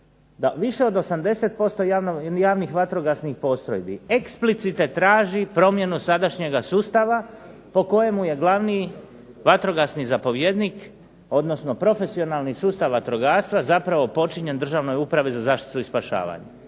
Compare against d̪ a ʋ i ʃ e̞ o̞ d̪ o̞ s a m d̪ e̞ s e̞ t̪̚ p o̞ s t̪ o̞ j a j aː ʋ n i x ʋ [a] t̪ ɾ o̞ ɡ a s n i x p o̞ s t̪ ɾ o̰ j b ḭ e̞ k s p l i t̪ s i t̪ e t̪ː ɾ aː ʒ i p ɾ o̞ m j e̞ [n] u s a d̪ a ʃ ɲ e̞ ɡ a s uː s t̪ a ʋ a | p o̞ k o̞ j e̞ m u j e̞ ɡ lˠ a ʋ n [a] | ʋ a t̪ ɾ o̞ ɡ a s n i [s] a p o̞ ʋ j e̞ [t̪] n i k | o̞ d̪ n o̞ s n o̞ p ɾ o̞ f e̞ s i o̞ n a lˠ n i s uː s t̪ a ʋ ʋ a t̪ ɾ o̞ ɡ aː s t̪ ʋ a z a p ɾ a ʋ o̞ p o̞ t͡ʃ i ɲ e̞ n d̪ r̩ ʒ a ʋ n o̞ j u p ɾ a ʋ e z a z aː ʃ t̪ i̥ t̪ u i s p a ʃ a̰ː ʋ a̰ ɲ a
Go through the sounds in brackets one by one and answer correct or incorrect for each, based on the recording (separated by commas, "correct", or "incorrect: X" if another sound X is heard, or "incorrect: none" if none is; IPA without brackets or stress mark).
correct, correct, incorrect: i, incorrect: z, incorrect: d̪